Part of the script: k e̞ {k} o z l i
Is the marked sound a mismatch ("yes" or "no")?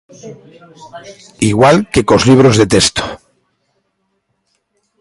no